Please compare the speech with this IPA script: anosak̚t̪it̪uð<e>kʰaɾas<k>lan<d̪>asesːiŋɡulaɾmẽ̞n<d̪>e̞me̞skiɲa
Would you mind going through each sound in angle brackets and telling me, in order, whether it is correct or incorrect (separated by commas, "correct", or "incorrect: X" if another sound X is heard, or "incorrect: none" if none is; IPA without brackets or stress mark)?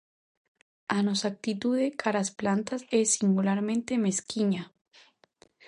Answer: correct, incorrect: p, incorrect: t̪, incorrect: t̪